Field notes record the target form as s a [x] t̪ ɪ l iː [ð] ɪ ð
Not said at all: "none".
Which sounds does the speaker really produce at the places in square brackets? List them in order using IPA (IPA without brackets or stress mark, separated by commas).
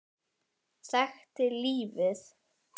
x, v